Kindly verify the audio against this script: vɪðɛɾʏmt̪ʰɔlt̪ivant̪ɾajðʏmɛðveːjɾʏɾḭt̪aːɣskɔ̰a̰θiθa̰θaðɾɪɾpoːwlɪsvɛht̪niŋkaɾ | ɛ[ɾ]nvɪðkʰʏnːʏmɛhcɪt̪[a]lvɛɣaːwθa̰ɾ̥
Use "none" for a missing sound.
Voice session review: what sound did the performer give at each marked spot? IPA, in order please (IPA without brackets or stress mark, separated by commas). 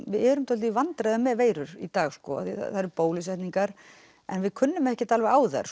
none, a